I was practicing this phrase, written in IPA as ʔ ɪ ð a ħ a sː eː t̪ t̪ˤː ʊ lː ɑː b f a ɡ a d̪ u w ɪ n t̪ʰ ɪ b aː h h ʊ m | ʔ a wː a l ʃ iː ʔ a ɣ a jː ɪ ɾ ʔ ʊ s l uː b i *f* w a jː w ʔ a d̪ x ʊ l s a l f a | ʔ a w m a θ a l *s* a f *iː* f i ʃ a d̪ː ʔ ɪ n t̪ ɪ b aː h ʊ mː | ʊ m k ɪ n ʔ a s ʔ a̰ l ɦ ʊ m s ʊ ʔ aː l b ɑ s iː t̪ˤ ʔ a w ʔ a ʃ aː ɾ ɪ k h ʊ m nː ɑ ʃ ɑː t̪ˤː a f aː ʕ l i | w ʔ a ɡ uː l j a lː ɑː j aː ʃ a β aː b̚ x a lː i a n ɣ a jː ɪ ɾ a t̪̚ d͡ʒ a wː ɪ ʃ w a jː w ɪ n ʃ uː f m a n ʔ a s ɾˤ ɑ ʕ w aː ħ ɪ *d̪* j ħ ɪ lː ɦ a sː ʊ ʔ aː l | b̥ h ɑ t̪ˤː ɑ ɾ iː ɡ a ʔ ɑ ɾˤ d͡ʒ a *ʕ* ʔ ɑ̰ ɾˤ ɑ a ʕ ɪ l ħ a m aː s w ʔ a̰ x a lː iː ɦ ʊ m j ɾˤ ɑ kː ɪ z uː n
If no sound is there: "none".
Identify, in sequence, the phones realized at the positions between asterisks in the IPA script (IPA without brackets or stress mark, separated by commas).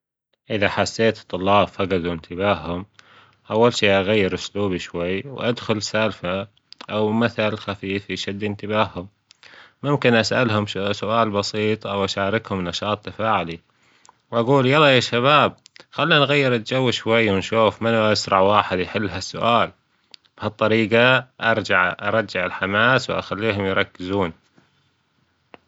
ʃ, x, iː, d̪, ʕ